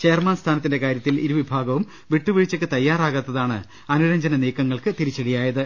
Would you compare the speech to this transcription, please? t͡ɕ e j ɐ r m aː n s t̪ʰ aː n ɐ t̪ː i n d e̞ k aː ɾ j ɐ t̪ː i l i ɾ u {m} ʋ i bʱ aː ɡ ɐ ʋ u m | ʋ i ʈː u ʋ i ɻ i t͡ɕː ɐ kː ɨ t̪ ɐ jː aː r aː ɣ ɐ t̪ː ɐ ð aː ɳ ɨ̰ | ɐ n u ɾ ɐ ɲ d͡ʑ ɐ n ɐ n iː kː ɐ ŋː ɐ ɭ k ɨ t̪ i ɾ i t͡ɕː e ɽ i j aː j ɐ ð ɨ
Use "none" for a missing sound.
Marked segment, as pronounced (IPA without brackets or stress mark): none